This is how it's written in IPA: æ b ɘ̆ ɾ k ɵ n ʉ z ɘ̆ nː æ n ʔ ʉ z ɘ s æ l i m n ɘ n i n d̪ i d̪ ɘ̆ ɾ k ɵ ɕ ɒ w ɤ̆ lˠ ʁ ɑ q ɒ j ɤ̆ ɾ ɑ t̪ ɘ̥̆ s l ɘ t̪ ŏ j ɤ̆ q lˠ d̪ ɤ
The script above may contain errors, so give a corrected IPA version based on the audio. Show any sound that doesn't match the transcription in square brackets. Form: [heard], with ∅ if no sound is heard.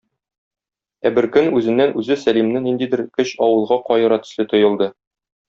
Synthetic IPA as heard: æ b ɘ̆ ɾ k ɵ n ʉ z ɘ̆ nː æ n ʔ ʉ z ɘ s æ l i m n ɘ n i n d̪ i d̪ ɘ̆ ɾ k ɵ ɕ ɒ w ɤ̆ lˠ ʁ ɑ q ɒ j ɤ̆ ɾ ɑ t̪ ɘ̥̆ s l ɘ t̪ ŏ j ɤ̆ [∅] lˠ d̪ ɤ